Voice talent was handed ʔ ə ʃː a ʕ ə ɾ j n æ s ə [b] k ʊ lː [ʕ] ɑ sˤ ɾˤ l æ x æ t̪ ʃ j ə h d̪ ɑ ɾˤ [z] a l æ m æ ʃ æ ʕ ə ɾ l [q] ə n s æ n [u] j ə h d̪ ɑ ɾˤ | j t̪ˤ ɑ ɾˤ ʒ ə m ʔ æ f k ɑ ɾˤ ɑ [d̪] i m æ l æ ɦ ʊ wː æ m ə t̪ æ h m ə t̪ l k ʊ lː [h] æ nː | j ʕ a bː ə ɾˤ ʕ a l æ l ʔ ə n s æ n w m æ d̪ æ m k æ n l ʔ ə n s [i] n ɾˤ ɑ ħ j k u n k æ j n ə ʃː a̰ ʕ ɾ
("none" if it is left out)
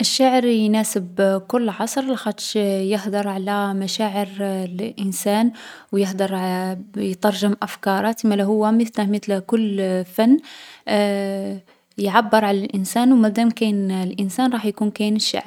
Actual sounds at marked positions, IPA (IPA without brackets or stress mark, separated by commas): b, ʕ, ʕ, ʔ, w, t̪, f, æ